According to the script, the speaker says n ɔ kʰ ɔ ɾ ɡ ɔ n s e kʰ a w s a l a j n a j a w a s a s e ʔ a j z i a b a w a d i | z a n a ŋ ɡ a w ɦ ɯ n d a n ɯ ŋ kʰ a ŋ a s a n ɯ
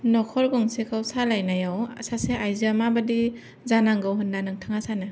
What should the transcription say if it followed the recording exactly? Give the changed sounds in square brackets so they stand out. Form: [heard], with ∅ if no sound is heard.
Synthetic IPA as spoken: n ɔ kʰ ɔ ɾ ɡ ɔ [ŋ] s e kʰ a w s a l a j n a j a w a s a s e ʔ a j z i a [m] a [b] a d i | z a n a ŋ ɡ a w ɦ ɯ n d a n ɯ ŋ [tʰ] a ŋ a s a n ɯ